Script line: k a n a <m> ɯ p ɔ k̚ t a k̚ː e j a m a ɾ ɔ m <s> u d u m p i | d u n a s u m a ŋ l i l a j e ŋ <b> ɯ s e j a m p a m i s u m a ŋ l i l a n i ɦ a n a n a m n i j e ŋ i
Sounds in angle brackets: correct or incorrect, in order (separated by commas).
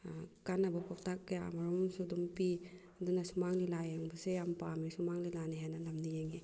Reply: incorrect, correct, correct